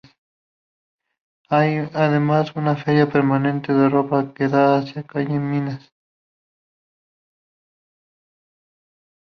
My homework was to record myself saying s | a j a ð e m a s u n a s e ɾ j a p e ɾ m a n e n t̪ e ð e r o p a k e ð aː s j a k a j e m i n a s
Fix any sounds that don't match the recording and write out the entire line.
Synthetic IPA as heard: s | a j a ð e m a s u n a f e ɾ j a p e ɾ m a n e n t̪ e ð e r o p a k e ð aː s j a k a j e m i n a s